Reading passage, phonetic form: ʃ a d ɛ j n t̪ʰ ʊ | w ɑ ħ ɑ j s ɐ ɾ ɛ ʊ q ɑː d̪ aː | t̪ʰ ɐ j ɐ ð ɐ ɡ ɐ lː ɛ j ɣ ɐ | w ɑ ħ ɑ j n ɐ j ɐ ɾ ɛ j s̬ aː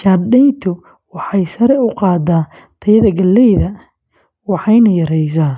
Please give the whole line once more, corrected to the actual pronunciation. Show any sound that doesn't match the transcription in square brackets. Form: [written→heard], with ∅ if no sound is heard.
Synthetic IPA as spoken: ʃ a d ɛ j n t̪ʰ ʊ | w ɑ ħ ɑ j s ɐ ɾ ɛ ʊ q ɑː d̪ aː | t̪ʰ ɐ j ɐ ð ɐ ɡ ɐ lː ɛ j [ɣ→ð] ɐ | w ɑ ħ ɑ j n ɐ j ɐ ɾ ɛ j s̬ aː